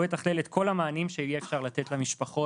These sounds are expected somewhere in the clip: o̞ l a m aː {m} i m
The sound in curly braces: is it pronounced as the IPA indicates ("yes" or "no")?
no